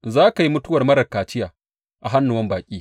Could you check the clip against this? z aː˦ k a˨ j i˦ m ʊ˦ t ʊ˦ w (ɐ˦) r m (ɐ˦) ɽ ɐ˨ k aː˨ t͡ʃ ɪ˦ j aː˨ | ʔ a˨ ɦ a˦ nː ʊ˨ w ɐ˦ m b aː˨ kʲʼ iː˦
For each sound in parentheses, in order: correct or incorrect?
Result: incorrect: ɐ˨, correct

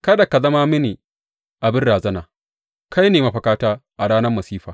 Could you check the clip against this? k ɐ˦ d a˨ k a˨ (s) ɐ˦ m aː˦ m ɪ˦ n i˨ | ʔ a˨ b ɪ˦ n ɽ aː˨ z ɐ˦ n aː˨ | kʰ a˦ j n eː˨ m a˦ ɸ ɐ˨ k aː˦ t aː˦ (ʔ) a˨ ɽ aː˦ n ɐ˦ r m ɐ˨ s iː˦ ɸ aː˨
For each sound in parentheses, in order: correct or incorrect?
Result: incorrect: z, correct

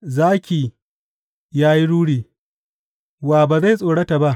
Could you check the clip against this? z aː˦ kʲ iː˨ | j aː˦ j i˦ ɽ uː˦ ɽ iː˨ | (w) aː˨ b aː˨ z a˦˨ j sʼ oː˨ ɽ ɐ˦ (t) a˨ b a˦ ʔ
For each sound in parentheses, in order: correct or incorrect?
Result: correct, correct

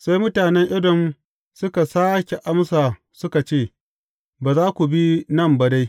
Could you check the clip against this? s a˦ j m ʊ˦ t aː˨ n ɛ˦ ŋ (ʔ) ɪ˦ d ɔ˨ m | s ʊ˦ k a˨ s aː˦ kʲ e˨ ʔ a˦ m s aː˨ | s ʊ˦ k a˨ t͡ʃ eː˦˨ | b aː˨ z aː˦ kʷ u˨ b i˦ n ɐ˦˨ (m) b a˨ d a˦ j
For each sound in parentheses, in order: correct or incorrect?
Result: correct, correct

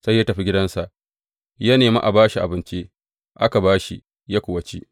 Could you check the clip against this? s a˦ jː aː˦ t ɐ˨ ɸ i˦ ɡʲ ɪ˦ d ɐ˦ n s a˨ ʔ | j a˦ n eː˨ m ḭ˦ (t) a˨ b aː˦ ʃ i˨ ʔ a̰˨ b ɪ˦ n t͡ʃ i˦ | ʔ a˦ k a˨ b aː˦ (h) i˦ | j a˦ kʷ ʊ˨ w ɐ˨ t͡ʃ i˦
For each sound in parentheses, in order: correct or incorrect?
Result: incorrect: ʔ, incorrect: ʃ

